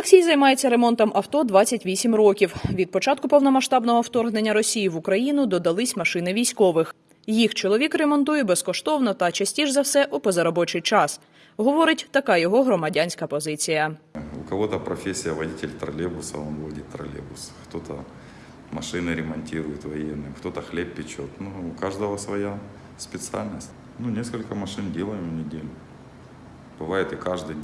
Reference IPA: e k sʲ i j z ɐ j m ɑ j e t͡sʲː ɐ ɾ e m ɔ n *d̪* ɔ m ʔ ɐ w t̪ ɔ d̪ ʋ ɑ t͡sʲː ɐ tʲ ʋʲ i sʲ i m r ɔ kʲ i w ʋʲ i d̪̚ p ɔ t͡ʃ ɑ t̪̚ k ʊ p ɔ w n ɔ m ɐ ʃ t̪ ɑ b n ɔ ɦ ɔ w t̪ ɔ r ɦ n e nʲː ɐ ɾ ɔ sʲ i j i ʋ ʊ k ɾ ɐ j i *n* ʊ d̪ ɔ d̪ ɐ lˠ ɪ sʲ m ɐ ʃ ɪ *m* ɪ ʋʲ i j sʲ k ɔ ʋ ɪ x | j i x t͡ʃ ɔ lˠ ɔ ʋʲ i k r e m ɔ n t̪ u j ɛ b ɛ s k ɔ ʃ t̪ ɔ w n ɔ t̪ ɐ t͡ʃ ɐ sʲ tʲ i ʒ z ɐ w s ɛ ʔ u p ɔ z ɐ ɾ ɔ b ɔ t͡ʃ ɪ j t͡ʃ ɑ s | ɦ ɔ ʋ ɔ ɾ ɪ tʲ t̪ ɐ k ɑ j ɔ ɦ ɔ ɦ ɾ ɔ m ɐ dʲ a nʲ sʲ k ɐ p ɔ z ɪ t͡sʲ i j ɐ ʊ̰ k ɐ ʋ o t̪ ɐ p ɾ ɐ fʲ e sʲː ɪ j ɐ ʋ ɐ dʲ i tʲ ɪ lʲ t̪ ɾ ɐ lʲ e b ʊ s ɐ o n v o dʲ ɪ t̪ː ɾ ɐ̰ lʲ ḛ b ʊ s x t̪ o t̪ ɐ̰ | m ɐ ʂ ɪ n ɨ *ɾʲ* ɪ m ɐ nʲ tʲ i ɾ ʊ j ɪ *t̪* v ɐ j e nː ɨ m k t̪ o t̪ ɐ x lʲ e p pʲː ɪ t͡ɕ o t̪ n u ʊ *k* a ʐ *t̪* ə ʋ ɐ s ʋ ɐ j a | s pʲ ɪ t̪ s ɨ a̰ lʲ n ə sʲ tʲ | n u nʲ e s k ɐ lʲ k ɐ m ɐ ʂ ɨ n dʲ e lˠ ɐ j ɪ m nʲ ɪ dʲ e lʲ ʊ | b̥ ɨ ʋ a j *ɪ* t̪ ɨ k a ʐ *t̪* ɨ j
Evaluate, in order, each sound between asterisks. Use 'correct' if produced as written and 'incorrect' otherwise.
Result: incorrect, correct, incorrect, correct, correct, correct, incorrect, correct, incorrect

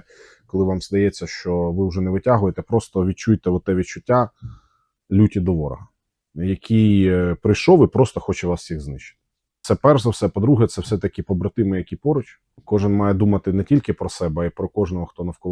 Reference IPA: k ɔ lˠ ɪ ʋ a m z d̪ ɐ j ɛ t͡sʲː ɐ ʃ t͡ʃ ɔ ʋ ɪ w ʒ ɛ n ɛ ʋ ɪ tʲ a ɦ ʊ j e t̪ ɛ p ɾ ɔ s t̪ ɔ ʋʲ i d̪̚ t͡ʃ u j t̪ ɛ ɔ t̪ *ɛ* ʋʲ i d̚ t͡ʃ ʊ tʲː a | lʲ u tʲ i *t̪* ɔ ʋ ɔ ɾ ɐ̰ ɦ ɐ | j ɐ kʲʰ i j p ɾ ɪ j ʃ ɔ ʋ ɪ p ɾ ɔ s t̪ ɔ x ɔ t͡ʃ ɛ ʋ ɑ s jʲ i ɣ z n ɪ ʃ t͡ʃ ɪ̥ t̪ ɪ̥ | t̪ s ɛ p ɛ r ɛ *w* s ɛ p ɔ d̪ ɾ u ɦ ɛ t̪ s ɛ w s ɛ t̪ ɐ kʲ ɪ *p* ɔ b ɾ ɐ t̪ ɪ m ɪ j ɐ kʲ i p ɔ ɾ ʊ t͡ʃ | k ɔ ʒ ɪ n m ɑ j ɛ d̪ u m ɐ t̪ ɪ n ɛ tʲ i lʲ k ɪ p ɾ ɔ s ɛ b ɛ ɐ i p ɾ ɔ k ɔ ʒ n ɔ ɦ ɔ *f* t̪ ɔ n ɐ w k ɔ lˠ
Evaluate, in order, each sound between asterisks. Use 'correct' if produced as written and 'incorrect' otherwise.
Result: correct, incorrect, correct, correct, incorrect

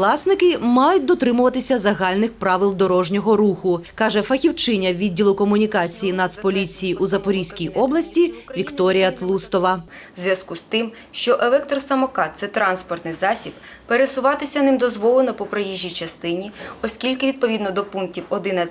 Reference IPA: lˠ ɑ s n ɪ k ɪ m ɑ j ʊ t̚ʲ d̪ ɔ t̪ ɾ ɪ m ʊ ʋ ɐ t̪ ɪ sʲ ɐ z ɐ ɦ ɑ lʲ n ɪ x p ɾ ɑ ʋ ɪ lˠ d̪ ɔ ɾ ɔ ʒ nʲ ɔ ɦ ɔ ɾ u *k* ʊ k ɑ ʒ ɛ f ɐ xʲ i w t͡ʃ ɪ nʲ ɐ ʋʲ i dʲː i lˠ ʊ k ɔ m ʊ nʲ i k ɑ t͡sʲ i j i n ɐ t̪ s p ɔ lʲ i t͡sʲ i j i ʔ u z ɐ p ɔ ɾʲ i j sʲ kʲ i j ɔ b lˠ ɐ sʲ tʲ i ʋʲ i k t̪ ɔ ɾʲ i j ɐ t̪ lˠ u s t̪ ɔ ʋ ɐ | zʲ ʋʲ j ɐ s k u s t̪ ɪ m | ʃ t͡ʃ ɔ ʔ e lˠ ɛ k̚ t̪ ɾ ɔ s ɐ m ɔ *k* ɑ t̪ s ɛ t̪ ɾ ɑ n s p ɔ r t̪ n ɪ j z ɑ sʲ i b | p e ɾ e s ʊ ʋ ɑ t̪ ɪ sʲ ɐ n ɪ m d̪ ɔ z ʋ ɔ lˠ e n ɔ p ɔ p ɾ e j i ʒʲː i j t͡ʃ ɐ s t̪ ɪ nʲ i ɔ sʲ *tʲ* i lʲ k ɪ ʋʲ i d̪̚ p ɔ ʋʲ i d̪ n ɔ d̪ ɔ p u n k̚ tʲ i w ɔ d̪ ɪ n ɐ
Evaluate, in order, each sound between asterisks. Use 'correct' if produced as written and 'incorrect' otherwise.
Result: incorrect, correct, incorrect

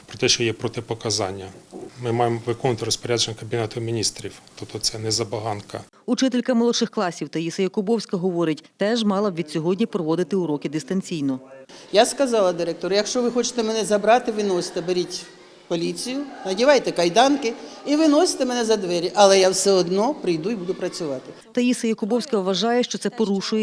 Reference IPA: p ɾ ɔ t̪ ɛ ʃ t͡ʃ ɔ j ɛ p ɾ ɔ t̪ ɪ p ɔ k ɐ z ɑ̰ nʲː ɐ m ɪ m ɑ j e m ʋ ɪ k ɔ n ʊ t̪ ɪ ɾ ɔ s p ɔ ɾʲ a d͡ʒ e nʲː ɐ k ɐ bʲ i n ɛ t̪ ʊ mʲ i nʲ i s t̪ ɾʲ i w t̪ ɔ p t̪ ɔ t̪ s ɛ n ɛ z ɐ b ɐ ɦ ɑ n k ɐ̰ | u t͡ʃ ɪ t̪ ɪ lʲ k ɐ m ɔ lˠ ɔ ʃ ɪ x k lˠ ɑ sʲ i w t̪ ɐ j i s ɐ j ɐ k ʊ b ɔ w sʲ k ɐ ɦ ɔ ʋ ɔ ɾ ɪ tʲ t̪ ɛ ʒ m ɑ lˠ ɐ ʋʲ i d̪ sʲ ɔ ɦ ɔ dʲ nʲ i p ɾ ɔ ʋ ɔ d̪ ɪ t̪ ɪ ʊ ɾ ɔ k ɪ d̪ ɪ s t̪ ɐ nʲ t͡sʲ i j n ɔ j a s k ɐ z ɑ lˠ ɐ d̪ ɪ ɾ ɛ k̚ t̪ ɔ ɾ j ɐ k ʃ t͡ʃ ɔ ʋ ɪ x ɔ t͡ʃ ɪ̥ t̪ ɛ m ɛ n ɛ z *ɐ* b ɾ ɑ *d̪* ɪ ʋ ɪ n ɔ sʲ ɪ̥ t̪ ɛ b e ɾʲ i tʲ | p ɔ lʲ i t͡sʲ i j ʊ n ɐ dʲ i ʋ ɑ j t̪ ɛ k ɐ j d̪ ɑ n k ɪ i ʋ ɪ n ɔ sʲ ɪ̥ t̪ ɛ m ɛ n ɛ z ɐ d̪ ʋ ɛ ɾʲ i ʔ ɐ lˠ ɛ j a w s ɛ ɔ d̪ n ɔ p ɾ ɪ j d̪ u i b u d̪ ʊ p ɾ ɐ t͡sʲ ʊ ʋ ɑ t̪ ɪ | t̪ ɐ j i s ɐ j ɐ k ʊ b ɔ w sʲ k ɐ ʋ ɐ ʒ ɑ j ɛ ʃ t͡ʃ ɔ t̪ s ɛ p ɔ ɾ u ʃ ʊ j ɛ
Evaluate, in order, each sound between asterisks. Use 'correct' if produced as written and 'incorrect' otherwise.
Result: correct, incorrect

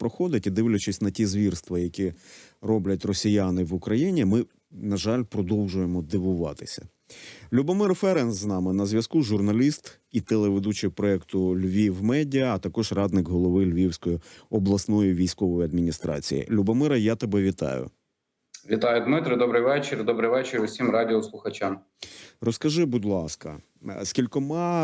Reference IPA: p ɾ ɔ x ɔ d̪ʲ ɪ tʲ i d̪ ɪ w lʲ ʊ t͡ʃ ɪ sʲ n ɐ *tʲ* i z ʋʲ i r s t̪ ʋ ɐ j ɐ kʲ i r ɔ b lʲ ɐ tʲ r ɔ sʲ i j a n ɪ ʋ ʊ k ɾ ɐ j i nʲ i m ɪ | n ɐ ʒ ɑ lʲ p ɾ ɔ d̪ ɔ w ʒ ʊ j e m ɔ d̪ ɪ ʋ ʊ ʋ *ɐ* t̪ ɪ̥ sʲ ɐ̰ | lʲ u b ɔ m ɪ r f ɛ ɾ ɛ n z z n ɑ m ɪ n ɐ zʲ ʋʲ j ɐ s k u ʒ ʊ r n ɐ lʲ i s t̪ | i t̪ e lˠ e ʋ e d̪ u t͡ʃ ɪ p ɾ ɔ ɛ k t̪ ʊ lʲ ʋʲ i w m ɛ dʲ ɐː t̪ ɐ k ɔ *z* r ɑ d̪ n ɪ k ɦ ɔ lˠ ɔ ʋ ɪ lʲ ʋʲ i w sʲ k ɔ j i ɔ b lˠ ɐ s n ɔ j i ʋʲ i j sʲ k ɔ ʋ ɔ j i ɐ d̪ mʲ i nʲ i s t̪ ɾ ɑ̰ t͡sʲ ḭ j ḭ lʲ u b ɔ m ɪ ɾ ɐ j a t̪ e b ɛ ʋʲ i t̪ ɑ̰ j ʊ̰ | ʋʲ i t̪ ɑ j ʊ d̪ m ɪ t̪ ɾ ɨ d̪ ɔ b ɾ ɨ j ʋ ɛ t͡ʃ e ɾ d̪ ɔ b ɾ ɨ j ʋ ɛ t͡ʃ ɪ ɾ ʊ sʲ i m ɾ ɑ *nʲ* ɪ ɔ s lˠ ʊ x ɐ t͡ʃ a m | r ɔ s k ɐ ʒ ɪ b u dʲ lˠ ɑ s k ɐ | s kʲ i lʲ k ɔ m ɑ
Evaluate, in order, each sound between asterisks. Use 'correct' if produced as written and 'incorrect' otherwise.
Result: correct, incorrect, incorrect, incorrect

